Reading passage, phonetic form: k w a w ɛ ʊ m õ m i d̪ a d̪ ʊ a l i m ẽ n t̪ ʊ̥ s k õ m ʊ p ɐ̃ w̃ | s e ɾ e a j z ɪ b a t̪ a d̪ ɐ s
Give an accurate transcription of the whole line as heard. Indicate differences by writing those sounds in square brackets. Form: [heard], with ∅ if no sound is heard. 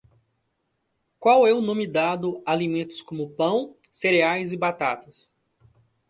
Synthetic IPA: k w a w ɛ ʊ [n] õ m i d̪ a d̪ ʊ a l i m ẽ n t̪ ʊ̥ s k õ m ʊ p ɐ̃ w̃ | s e ɾ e a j z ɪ b a t̪ a [t̪] ɐ s